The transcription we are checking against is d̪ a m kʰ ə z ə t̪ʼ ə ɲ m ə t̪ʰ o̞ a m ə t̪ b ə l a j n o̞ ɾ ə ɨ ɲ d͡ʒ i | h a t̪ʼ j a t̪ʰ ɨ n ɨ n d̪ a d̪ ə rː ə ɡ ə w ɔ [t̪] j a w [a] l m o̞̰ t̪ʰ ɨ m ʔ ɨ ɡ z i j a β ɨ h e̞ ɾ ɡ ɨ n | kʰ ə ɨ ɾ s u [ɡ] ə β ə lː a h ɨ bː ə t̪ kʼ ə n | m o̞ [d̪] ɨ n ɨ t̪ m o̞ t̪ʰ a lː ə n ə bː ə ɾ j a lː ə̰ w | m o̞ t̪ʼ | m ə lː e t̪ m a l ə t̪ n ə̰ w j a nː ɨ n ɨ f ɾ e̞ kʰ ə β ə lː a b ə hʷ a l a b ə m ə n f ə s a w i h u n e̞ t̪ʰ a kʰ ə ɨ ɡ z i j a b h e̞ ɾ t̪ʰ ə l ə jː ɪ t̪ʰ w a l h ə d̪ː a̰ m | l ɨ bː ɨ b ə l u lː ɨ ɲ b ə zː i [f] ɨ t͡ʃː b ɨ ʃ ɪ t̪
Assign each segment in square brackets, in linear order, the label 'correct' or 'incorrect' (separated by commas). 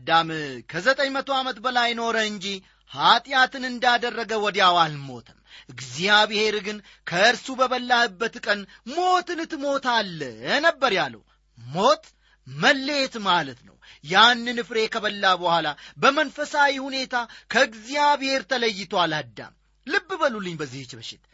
incorrect, correct, incorrect, incorrect, incorrect